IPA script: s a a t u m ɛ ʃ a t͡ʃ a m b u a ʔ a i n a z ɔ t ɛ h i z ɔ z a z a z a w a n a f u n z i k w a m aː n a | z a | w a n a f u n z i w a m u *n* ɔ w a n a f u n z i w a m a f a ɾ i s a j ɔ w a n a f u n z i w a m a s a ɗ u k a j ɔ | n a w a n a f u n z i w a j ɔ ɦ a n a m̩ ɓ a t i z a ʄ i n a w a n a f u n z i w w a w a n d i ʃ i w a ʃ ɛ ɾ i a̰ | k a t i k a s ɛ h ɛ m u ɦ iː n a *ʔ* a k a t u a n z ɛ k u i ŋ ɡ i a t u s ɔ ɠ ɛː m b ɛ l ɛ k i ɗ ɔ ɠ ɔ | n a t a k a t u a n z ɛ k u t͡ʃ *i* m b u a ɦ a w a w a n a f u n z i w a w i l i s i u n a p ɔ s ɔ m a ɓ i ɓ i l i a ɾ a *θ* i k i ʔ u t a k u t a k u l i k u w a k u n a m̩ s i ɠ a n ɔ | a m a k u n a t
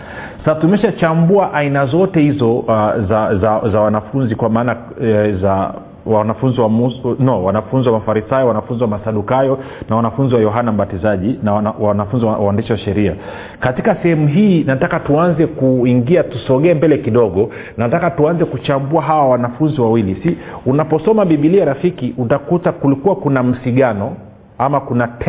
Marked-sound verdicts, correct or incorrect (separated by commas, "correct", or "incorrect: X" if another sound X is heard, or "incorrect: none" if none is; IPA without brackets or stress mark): correct, incorrect: t, incorrect: a, incorrect: f